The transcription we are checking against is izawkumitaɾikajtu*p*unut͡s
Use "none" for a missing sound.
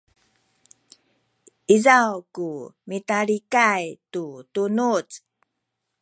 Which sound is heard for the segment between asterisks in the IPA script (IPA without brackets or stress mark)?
t